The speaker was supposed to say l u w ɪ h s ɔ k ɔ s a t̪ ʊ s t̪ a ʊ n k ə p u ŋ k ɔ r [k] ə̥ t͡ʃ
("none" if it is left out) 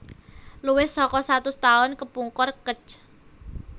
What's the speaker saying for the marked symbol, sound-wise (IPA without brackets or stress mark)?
k